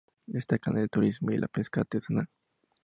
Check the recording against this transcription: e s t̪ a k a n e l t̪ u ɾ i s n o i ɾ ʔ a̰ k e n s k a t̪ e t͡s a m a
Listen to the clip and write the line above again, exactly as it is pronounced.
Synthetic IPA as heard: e s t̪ a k a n e l t̪ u ɾ i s m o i l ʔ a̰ p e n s k a t̪ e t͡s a n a

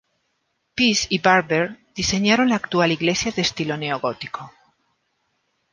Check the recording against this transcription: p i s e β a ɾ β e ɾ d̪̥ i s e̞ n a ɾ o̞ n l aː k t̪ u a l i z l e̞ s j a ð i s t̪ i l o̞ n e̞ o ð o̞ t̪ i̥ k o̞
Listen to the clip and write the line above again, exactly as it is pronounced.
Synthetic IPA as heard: p i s i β a ɾ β e ɾ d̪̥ i s e̞ ɲ a ɾ o̞ n l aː k t̪ u a l i ɣ l e̞ s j a ð e s t̪ i l o̞ n e̞ o ɣ o̞ t̪ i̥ k o̞

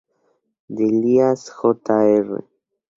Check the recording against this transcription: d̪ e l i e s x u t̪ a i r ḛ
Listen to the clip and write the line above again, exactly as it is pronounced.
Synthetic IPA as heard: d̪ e l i a s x o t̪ a e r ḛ

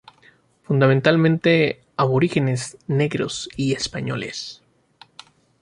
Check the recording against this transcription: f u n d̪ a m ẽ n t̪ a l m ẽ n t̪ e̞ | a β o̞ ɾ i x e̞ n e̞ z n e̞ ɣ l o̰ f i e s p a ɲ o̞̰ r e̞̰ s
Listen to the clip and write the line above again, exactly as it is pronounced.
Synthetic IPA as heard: f u n d̪ a m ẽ n t̪ a l m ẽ n t̪ e̞ | a β o̞ ɾ i x e̞ n e̞ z n e̞ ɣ ɾ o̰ s i e s p a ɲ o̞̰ l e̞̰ s

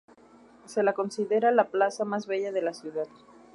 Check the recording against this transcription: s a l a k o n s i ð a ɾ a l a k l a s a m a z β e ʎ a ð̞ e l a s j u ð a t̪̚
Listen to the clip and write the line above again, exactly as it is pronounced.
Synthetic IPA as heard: s e l a k o n s i ð e ɾ a l a p l a s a m a z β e ʎ a ð̞ e l a s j u ð a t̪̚

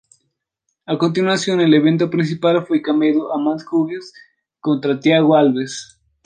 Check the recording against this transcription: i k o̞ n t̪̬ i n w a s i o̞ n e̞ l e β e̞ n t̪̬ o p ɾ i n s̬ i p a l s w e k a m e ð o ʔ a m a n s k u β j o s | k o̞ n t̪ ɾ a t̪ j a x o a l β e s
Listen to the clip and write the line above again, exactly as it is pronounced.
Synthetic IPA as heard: a k o̞ n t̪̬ i n w a s j o̞ n e̞ l e β e̞ n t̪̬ o p ɾ i n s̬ i p a l f w e k a m e ð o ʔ a m a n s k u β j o s | k o̞ n t̪ ɾ a t̪ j a ɣ o a l β e s

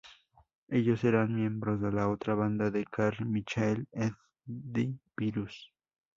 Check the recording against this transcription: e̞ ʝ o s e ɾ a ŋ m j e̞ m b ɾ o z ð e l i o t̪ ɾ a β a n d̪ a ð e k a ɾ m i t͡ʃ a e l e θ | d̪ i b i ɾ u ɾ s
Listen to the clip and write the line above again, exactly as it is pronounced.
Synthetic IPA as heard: e̞ ʎ o s e ɾ a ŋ m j e̞ m b ɾ o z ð e l a o t̪ ɾ a β a n d̪ a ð e k a ɾ m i t͡ʃ a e l e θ | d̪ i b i ɾ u s

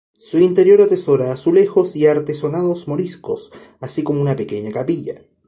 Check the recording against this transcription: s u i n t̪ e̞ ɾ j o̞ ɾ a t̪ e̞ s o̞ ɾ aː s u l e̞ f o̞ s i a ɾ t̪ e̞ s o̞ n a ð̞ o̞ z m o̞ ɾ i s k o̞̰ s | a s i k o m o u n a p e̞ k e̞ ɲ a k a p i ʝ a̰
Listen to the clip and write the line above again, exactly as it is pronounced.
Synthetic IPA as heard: s u i n t̪ e̞ ɾ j o̞ ɾ a t̪ e̞ s o̞ ɾ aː s u l e̞ x o̞ s i a ɾ t̪ e̞ s o̞ n a ð̞ o̞ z m o̞ ɾ i s k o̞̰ s | a s i k o m o u n a p e̞ k e̞ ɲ a k a p i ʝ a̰

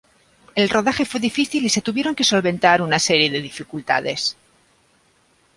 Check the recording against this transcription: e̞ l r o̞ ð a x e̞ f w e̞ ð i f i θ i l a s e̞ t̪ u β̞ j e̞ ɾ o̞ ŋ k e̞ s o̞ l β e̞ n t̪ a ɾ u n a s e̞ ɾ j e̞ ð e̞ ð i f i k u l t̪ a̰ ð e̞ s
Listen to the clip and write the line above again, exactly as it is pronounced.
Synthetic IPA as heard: e̞ l r o̞ ð a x e̞ f w e̞ ð i f i θ i l i s e̞ t̪ u β̞ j e̞ ɾ o̞ ŋ k e̞ s o̞ l β e̞ n t̪ a ɾ u n a s e̞ ɾ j e̞ ð e̞ ð i f i k u l t̪ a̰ ð e̞ s

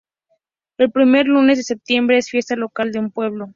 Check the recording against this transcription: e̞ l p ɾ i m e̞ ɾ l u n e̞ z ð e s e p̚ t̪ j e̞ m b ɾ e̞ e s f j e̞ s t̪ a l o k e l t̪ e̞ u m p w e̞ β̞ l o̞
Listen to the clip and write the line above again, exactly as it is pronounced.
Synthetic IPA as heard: e̞ l p ɾ i m e̞ ɾ l u n e̞ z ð e s e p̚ t̪ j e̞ m b ɾ e̞ e s f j e̞ s t̪ a l o k a l d̪ e̞ u m p w e̞ β̞ l o̞

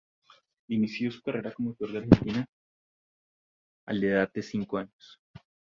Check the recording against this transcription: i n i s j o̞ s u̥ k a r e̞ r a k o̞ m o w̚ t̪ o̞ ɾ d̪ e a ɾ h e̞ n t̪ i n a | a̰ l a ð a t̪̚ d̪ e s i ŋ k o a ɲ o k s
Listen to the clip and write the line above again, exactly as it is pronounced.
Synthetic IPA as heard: i n i s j o̞ s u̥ k a r e̞ ɾ a k o̞ m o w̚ t̪ o̞ ɾ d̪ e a ɾ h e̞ n t̪ i n a | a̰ l e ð a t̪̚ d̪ e s i ŋ k o a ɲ o s

